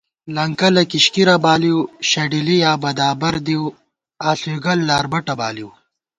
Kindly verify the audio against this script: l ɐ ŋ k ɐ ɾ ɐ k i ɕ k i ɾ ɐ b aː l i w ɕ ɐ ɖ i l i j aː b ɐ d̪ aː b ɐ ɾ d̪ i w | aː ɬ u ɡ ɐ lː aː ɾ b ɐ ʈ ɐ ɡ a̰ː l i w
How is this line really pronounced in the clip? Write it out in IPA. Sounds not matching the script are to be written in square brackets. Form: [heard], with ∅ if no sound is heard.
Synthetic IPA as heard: l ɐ ŋ k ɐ [l] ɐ k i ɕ k i ɾ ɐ b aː l i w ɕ ɐ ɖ i l i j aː b ɐ d̪ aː b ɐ ɾ d̪ i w | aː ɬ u ɡ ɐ lː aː ɾ b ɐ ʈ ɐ [b] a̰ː l i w